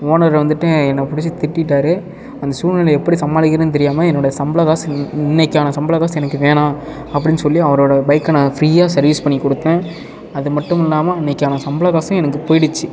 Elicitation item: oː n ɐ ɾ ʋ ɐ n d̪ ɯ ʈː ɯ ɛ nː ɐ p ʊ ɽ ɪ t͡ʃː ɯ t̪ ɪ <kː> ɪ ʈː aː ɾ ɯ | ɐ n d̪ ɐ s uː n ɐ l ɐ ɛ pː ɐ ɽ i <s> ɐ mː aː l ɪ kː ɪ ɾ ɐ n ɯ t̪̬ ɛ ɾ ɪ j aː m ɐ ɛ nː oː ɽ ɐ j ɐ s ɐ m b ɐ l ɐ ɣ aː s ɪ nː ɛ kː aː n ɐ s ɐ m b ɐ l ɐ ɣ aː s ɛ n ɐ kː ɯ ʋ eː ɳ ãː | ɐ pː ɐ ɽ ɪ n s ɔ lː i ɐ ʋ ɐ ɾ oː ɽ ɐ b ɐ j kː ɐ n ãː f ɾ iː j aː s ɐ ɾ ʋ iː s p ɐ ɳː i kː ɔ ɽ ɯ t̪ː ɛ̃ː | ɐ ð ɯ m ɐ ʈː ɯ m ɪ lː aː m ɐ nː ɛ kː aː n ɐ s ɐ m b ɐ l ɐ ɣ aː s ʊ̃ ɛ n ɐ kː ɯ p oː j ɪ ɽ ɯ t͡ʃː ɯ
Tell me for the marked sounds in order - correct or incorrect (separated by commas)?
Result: incorrect, correct